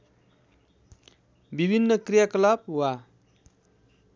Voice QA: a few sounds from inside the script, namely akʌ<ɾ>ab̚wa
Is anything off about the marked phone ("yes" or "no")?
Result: yes